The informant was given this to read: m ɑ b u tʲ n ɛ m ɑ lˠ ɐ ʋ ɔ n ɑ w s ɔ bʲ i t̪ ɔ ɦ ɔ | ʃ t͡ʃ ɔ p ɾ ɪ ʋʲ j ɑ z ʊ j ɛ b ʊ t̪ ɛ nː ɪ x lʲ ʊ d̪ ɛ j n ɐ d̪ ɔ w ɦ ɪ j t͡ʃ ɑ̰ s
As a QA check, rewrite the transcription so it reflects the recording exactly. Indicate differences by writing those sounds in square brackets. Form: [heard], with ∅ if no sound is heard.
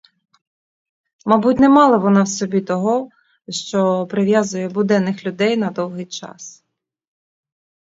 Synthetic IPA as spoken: m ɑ b u tʲ n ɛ m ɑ lˠ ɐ ʋ ɔ n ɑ w s ɔ bʲ i t̪ ɔ ɦ ɔ | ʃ t͡ʃ ɔ p ɾ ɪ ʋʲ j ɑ z ʊ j ɛ b ʊ [d̪] ɛ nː ɪ x lʲ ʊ d̪ ɛ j n ɐ d̪ ɔ w ɦ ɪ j t͡ʃ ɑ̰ s